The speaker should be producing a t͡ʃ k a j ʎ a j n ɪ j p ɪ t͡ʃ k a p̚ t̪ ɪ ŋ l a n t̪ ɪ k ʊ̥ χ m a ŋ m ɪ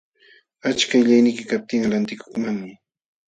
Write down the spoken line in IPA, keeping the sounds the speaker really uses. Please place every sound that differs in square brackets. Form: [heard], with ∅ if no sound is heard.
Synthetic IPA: a t͡ʃ k a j ʎ a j n ɪ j [k] ɪ [∅] k a p̚ t̪ ɪ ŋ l a n t̪ ɪ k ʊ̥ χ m a ŋ m ɪ